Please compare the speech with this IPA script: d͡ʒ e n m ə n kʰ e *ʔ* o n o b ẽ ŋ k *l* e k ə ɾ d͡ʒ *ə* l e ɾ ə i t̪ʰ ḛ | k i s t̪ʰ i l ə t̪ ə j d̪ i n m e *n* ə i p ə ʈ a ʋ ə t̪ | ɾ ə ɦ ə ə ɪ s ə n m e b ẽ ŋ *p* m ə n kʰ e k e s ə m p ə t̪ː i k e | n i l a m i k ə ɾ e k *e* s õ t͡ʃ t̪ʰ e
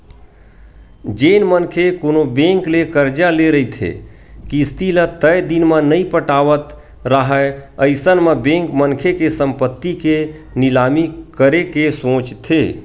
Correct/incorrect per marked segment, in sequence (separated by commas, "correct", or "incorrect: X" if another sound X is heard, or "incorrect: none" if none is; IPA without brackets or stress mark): incorrect: k, correct, incorrect: a, correct, incorrect: k, correct